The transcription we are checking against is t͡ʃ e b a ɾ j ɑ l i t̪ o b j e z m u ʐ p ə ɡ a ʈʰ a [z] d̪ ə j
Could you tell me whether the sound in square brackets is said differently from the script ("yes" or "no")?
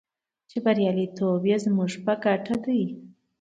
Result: yes